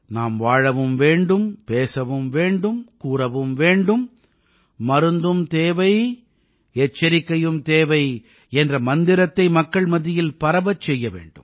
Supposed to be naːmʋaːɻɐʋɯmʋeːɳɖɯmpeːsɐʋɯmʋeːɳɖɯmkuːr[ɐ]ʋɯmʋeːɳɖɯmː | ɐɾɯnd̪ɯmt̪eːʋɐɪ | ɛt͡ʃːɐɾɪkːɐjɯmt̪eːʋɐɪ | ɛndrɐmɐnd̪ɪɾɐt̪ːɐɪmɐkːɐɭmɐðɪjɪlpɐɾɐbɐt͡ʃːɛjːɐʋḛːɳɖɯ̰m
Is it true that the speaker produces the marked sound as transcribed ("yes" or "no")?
yes